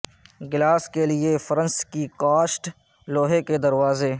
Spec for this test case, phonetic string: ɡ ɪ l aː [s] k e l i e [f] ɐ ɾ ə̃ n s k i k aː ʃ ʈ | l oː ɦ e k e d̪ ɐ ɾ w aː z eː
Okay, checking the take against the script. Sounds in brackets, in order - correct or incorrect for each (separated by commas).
correct, correct